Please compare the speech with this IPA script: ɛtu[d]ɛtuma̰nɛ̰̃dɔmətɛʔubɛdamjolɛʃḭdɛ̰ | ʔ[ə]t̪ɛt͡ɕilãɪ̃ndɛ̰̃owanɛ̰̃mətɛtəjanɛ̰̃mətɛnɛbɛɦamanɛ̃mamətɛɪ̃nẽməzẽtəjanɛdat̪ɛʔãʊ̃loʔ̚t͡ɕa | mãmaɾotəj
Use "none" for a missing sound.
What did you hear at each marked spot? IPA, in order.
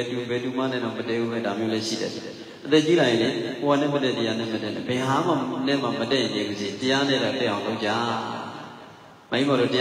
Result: b, ə

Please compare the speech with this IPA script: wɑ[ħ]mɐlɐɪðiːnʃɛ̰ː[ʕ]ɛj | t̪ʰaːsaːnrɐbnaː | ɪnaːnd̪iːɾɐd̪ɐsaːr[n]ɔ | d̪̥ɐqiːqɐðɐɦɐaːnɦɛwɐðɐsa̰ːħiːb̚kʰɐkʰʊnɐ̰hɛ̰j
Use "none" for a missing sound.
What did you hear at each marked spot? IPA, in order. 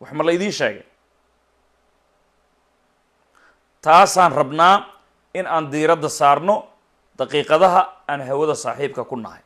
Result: ħ, ɣ, n

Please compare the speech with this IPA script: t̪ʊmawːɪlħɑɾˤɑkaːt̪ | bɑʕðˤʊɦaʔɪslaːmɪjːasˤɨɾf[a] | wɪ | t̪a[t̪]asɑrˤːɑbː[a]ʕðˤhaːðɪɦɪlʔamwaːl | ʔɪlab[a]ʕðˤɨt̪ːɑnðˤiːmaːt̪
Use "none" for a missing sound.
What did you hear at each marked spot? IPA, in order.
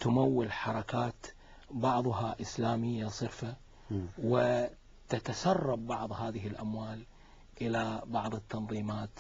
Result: a, t̪, ɑ, ɑ

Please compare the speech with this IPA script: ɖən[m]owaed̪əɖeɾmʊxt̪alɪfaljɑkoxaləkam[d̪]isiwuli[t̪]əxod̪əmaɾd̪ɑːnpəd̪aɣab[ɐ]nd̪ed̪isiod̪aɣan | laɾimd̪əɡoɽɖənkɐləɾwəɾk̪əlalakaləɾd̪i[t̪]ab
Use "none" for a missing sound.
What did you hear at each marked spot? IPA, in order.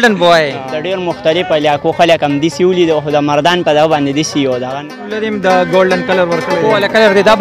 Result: b, d̪, d̪, ɑ, d̪

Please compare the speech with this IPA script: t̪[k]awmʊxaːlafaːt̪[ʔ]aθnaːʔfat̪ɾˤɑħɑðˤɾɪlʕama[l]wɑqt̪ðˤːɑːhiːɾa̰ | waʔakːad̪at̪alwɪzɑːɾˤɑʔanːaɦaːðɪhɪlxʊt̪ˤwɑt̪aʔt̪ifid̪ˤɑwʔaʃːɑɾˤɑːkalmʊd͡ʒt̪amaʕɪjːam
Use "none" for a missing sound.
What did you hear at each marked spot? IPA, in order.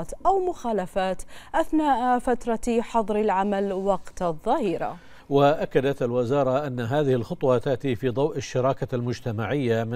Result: ʔ, ʔ, l

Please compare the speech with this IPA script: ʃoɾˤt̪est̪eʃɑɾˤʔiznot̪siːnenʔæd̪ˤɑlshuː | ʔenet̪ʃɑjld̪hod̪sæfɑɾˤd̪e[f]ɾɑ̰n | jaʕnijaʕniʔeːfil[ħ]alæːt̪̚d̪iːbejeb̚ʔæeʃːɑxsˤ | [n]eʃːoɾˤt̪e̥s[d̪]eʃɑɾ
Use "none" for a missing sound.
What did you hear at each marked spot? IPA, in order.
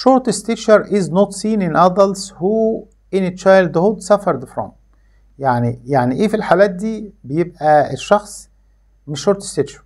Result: f, ħ, m, t̪

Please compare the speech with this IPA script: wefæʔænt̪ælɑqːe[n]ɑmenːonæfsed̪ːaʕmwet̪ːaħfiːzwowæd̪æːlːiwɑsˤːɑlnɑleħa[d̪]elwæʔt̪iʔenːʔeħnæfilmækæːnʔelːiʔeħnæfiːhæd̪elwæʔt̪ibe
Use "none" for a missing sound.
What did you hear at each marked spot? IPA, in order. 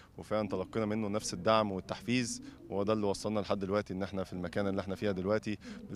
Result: n, d̪ː

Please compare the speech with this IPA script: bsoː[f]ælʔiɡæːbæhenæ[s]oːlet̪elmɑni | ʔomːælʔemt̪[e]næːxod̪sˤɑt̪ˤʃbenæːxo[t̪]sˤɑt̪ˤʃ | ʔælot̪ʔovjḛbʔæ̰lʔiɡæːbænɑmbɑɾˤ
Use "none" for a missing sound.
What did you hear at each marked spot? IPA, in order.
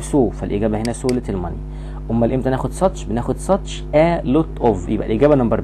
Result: f, s, æ, d̪

